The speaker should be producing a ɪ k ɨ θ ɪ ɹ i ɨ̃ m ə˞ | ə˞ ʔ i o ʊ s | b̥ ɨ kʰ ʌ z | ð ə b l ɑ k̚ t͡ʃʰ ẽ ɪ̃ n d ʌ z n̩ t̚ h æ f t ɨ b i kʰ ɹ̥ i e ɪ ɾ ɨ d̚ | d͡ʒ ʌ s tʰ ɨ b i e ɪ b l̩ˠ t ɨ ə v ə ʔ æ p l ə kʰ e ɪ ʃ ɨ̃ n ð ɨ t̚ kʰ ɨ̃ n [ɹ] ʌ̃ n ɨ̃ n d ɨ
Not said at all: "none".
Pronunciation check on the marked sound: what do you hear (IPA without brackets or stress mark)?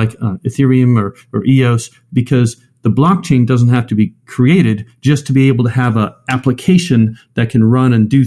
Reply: ɹ